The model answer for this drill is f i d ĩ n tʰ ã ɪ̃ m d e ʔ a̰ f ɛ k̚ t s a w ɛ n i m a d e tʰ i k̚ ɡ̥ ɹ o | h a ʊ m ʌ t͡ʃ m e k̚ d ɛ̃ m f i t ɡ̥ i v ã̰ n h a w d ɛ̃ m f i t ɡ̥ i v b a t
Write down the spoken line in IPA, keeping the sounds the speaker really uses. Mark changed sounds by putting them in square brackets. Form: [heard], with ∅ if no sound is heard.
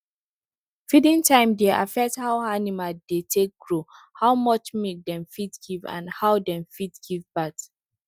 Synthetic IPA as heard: f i d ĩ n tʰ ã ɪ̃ m d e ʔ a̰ f ɛ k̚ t [h] a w [a] n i m a d e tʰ [e] k̚ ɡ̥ ɹ o | h a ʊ m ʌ t͡ʃ m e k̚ d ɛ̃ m f i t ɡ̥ i v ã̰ n h a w d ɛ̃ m f i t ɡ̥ i v b a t